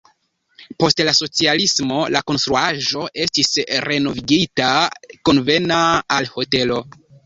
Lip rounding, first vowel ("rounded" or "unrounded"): rounded